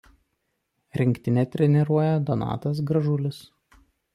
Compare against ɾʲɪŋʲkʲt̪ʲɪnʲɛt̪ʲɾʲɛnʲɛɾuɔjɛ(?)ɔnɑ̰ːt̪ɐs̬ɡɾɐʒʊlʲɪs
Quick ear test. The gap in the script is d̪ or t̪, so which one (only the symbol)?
d̪